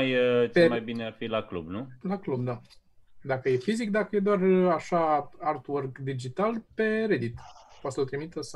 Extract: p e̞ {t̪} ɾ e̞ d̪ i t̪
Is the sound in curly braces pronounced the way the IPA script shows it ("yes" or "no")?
no